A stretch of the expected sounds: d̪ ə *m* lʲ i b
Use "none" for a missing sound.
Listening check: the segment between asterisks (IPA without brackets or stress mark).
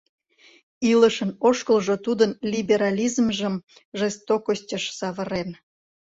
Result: n